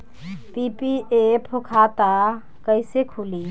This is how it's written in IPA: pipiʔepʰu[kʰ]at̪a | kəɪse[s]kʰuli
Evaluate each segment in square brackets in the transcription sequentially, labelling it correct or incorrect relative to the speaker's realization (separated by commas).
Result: correct, incorrect